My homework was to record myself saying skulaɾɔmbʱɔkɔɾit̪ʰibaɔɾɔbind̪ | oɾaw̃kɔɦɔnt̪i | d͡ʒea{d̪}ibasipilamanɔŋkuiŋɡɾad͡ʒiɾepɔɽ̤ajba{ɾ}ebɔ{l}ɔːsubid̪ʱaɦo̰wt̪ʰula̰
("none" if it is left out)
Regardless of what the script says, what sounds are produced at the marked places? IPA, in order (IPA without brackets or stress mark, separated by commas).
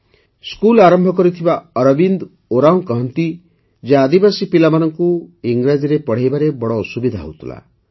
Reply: d̪, ɾ, ɽ